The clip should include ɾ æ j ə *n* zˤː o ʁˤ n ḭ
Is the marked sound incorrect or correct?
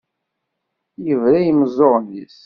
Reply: incorrect